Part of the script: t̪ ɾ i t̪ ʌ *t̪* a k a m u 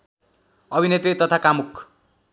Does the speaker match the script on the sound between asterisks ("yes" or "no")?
no